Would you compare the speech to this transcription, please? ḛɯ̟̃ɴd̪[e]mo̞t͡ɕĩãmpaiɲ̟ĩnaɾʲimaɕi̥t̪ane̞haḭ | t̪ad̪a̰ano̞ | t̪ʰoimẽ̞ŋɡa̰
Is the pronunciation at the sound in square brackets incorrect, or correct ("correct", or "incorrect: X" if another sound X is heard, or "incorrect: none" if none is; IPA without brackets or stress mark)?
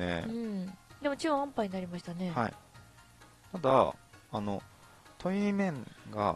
correct